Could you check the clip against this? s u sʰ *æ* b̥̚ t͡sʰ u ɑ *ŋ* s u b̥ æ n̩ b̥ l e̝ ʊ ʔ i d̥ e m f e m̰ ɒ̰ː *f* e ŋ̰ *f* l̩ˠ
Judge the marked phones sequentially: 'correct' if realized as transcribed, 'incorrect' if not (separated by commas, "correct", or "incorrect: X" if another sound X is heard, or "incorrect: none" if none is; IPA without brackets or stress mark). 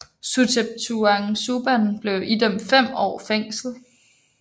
incorrect: e, correct, correct, incorrect: s